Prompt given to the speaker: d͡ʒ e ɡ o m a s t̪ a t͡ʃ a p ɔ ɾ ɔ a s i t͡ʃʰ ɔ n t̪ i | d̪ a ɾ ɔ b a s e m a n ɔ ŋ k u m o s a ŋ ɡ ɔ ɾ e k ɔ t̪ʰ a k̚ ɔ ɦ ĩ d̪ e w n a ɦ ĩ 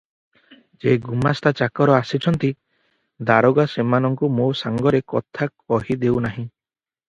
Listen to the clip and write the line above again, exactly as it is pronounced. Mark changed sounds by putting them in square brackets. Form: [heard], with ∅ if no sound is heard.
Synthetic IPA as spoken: d͡ʒ e ɡ [u] m a s t̪ a t͡ʃ a [k] ɔ ɾ ɔ a s i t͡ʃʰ ɔ n t̪ i | d̪ a ɾ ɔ [ɡ] a s e m a n ɔ ŋ k u m o s a ŋ ɡ ɔ ɾ e k ɔ t̪ʰ a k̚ ɔ ɦ [i] d̪ e w n a ɦ ĩ